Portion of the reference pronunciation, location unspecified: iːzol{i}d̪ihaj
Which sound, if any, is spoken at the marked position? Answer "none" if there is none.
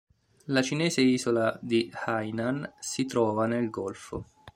a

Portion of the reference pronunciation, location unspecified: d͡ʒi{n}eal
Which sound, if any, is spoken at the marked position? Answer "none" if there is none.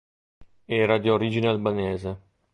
n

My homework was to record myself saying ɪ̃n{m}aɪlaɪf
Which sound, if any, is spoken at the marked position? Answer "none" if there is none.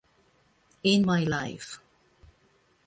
m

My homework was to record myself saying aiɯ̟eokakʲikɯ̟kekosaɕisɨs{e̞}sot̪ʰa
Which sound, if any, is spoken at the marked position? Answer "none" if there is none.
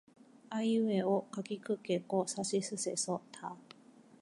e̞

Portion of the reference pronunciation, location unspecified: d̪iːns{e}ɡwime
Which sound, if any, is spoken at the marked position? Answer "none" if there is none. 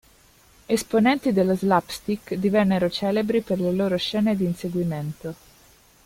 e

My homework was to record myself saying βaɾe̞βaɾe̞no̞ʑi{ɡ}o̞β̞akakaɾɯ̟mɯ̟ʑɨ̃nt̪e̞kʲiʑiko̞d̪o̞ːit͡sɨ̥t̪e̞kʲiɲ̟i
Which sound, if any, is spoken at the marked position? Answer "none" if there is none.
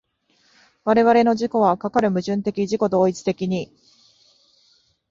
k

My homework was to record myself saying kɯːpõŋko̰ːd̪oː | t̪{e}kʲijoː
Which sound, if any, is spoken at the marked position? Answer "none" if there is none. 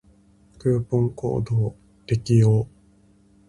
e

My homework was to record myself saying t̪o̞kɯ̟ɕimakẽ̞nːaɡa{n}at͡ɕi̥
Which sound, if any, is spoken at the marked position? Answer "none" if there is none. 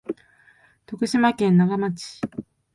m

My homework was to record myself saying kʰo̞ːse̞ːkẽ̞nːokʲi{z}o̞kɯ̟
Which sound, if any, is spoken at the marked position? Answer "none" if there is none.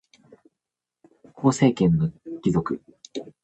z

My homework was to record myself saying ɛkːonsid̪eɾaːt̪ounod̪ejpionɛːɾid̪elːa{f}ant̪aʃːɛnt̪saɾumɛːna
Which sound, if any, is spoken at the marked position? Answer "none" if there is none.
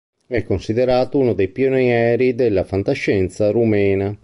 f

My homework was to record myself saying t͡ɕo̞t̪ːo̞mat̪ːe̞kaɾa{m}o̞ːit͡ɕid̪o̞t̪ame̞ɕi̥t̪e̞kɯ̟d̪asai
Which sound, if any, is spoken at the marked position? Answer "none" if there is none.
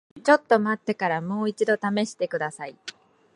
m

